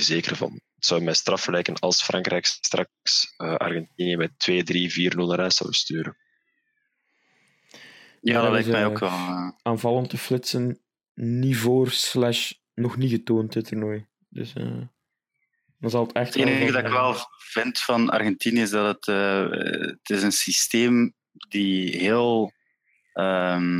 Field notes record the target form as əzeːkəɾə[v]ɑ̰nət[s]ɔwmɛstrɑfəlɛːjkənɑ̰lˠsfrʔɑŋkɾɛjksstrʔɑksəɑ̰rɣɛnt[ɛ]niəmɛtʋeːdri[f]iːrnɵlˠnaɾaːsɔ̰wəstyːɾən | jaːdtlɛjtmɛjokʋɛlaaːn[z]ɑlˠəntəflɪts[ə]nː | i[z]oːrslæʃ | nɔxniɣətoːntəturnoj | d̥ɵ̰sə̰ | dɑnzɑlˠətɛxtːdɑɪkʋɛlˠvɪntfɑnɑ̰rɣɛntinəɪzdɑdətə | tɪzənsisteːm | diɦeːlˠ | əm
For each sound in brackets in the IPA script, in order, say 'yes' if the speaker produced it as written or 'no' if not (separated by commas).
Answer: yes, yes, no, no, no, yes, no